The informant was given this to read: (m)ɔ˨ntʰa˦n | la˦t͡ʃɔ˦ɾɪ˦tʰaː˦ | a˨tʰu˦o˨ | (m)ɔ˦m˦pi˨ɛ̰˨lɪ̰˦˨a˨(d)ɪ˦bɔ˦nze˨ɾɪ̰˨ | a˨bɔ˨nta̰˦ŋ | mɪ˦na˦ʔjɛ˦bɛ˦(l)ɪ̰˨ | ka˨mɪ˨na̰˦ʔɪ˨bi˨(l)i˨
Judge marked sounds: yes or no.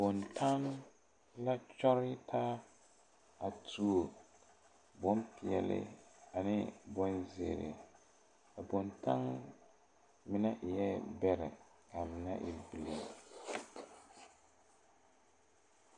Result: no, no, no, no, yes

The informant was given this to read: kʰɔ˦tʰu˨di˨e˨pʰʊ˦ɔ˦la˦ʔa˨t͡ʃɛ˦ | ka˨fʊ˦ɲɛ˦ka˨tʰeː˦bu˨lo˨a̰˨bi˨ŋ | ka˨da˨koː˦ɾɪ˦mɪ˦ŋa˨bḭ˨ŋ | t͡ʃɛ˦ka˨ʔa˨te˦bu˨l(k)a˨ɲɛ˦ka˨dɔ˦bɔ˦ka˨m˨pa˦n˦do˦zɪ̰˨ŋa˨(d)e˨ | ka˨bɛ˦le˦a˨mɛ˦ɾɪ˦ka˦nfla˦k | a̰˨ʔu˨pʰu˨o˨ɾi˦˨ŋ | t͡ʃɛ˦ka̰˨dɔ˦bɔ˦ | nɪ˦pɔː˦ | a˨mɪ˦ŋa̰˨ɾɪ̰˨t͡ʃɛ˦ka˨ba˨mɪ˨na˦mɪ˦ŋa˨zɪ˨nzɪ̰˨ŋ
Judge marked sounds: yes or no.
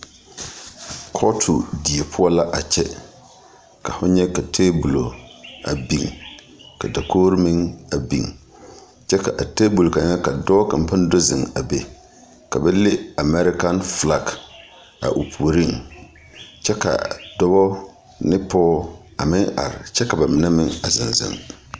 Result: yes, no

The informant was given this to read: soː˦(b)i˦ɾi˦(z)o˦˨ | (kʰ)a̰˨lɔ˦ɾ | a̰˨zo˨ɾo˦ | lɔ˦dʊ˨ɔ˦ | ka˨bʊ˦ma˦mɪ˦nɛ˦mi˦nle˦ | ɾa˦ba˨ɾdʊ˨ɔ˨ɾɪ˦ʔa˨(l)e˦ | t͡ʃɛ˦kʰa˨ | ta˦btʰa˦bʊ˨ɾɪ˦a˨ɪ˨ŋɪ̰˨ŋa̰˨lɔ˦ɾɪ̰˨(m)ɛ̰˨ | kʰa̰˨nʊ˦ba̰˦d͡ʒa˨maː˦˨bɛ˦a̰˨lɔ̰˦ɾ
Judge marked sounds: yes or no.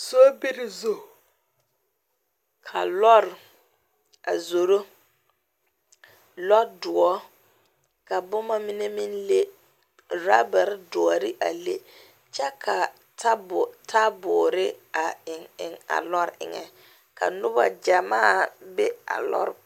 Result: yes, yes, yes, yes, no

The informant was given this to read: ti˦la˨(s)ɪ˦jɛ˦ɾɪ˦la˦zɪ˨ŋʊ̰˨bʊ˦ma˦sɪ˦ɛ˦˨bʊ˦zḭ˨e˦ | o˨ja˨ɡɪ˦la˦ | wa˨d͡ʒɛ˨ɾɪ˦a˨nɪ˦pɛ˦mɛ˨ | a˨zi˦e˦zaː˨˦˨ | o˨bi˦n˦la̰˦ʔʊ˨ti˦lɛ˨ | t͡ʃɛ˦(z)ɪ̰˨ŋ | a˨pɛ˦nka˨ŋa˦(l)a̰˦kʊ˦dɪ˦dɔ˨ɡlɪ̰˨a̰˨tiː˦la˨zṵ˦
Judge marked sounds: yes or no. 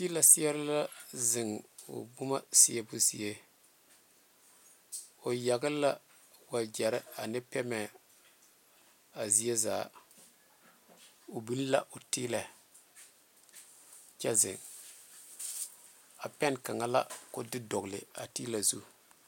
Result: yes, yes, yes

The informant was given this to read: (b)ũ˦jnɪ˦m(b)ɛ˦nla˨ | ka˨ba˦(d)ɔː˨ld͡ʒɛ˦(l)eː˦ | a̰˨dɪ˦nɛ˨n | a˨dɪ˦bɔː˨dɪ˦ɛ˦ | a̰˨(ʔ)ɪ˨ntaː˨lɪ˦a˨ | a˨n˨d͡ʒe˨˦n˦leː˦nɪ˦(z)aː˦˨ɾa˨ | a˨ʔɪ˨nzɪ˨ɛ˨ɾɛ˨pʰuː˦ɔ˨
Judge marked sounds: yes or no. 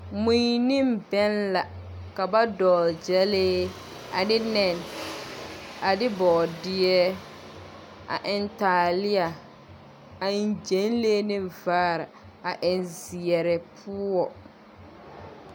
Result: no, yes, yes, yes, yes, no

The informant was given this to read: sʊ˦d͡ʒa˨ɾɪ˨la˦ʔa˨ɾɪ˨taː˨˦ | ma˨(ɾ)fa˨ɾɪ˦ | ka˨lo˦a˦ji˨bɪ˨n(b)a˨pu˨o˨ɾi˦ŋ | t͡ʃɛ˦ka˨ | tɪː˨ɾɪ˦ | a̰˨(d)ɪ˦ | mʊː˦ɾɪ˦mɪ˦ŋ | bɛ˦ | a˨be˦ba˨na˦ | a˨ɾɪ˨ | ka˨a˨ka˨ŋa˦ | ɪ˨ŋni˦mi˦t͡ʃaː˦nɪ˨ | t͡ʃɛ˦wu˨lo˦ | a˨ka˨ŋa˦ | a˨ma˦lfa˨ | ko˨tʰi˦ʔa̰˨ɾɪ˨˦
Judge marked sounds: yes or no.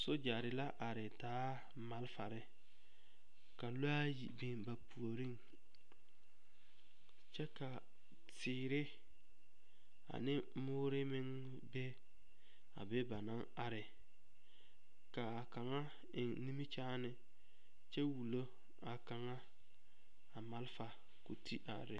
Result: no, yes, no

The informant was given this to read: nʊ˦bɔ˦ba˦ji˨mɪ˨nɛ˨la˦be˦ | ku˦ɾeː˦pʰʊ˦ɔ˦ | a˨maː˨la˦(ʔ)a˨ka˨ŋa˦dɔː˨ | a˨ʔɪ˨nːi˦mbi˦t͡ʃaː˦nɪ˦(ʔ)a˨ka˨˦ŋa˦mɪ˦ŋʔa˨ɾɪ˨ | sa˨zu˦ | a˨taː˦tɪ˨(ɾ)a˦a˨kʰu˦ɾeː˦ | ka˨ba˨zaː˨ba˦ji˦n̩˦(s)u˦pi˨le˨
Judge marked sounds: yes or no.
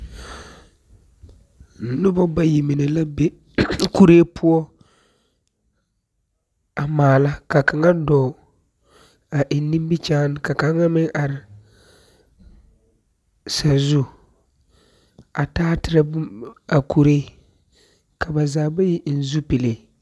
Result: no, no, yes, no

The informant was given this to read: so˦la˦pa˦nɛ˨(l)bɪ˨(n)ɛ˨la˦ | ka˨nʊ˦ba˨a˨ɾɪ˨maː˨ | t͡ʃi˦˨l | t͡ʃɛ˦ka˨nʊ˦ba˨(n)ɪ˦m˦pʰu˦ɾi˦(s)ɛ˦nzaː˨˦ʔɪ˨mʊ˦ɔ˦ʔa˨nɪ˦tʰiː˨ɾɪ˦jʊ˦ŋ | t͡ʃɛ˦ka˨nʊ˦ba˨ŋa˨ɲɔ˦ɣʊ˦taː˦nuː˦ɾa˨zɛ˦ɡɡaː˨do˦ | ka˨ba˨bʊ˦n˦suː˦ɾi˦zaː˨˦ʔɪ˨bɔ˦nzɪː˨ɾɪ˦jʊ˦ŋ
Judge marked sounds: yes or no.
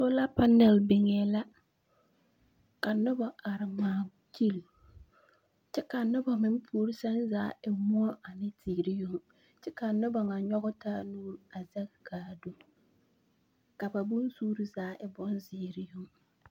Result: yes, no, no, yes

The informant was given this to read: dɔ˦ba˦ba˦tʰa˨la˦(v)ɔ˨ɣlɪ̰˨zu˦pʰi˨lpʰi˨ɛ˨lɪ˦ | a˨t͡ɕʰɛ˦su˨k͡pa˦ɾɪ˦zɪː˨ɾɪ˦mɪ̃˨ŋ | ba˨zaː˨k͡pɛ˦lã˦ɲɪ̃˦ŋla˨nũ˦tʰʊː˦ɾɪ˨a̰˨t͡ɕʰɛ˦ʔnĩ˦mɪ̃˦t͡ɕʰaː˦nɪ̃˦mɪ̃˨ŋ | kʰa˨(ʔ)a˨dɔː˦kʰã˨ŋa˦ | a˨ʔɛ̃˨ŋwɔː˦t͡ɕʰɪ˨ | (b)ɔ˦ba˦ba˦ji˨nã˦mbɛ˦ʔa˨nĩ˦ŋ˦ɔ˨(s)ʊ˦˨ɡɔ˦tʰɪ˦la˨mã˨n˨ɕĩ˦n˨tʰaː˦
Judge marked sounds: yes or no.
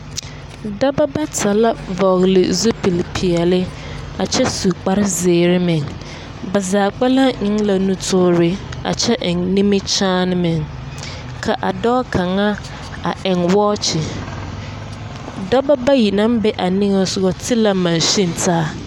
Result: yes, yes, no, yes

